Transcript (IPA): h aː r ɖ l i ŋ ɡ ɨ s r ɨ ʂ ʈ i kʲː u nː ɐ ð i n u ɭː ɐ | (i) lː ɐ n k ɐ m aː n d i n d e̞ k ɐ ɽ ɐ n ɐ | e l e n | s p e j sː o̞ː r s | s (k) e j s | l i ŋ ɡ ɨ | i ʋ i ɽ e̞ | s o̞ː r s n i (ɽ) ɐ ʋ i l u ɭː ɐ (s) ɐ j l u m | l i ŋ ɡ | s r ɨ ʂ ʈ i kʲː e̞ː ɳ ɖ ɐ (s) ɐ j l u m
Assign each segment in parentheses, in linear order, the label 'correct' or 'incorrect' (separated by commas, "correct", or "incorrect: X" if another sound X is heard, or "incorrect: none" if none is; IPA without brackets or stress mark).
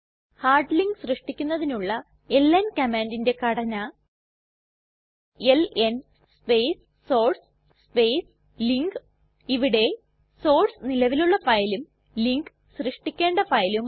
incorrect: e, incorrect: p, incorrect: l, incorrect: f, incorrect: f